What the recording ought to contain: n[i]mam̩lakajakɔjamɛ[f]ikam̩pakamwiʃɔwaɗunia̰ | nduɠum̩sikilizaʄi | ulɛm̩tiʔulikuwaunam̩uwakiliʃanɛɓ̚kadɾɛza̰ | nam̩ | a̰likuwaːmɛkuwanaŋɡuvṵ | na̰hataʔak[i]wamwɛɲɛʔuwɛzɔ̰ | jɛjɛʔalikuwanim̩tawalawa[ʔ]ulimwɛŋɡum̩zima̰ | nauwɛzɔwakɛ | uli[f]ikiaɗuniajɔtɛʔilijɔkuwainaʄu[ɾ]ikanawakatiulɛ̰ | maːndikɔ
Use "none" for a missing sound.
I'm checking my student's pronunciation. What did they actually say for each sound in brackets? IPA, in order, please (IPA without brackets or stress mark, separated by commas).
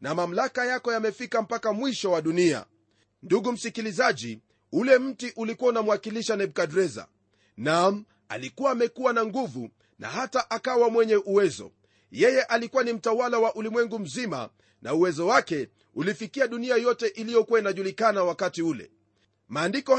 a, f, a, ʔ, f, l